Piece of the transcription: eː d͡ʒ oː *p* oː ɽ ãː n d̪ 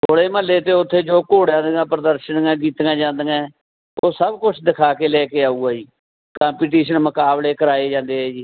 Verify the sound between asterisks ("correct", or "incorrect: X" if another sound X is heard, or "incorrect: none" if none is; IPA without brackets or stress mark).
incorrect: k